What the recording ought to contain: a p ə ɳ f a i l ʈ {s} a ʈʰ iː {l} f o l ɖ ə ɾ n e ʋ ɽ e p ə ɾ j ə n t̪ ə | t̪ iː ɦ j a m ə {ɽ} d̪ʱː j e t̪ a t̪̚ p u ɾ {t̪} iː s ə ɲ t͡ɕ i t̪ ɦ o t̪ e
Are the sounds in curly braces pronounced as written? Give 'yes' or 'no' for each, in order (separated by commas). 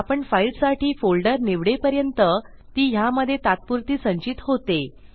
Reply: yes, no, no, yes